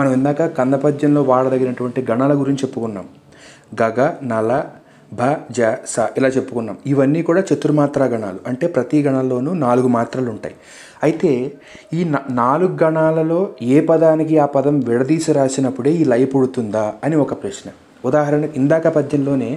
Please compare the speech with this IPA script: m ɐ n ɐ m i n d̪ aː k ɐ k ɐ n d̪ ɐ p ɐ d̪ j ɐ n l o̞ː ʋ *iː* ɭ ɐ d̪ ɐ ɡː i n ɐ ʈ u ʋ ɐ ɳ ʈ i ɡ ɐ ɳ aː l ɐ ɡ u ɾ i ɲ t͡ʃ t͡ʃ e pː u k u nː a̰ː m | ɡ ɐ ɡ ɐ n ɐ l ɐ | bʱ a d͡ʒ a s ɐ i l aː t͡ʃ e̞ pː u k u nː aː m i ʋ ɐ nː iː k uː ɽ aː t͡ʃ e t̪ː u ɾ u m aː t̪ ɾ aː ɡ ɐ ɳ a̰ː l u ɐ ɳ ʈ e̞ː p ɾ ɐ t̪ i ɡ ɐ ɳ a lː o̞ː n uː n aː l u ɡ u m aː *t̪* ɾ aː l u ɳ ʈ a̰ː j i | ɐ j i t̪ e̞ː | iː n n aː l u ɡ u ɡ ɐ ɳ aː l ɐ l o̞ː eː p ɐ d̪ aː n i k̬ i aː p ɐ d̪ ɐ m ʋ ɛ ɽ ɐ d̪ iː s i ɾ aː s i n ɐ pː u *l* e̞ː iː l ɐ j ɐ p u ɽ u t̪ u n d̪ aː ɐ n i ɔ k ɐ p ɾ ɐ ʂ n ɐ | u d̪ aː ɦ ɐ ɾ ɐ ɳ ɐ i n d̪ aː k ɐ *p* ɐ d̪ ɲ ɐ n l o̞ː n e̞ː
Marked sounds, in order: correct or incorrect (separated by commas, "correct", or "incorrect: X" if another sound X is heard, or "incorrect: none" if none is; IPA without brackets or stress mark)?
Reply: incorrect: aː, correct, incorrect: ɽ, correct